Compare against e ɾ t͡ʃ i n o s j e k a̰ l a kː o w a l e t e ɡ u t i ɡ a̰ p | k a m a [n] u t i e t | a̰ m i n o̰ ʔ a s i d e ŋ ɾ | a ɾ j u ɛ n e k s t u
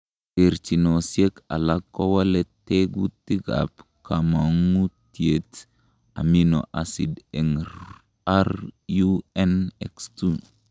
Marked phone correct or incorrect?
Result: incorrect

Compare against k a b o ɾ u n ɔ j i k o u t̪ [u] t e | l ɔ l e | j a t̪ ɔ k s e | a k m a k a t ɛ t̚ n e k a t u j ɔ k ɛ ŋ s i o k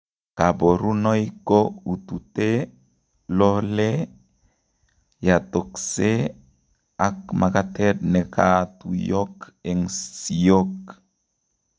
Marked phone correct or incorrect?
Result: correct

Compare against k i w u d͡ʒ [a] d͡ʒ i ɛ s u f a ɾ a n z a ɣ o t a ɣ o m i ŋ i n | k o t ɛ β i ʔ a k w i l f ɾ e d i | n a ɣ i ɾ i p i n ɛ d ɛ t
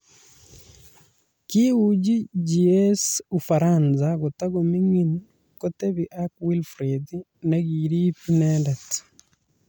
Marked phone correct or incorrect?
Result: incorrect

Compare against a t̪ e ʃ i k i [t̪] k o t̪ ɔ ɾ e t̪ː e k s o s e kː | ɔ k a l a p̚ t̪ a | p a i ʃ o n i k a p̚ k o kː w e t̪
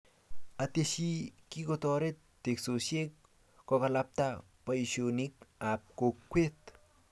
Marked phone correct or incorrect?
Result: incorrect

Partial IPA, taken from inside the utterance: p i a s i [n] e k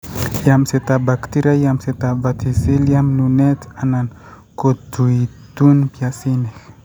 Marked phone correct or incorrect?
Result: correct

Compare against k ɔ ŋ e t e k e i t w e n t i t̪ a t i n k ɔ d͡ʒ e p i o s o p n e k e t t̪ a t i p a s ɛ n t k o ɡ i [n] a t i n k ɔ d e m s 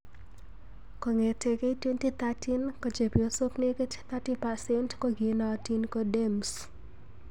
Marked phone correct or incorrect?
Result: correct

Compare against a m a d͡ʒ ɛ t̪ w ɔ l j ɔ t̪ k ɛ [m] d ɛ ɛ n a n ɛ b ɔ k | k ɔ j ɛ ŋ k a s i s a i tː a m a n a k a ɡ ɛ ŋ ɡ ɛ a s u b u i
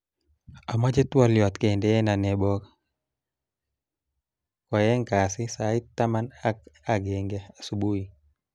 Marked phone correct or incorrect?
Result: incorrect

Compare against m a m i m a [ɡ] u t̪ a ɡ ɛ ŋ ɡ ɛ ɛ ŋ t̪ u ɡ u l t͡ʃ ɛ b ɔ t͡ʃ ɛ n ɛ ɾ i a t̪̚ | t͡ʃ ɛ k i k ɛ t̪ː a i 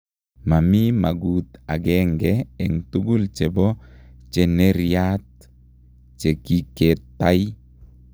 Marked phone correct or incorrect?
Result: correct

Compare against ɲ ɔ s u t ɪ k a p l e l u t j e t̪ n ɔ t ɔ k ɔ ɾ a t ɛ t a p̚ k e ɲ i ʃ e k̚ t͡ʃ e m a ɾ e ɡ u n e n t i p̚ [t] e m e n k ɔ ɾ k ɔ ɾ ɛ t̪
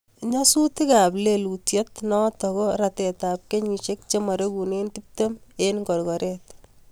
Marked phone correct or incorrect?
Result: correct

